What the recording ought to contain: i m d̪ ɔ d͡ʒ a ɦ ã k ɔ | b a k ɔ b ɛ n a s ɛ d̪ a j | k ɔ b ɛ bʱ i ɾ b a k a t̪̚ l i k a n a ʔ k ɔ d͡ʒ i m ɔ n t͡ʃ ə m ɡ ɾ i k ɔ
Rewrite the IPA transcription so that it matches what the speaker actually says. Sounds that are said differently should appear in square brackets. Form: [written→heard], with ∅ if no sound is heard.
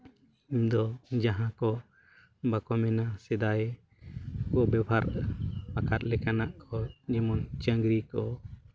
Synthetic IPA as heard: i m d̪ ɔ d͡ʒ a ɦ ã k ɔ | b a k ɔ [b→m] ɛ n a s ɛ d̪ a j | k ɔ b ɛ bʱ [i→a] ɾ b a k a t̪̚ l [i→ɛ] k a n a ʔ k ɔ d͡ʒ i m ɔ n t͡ʃ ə [m→ŋ] ɡ ɾ i k ɔ